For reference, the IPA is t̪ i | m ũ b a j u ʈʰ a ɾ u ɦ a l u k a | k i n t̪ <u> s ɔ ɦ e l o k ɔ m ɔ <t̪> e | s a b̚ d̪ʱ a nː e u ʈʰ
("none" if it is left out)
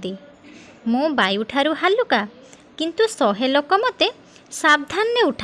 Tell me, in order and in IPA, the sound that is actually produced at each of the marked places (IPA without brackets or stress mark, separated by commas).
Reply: u, t̪